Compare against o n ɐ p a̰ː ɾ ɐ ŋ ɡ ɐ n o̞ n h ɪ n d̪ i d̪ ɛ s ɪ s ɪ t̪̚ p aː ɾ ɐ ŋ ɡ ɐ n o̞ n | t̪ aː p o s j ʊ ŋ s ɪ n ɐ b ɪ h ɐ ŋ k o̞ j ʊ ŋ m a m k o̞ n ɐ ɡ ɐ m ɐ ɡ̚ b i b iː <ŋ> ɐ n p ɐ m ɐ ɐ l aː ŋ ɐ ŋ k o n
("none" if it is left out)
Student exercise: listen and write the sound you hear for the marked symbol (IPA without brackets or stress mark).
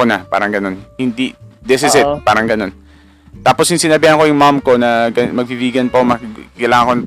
ɡ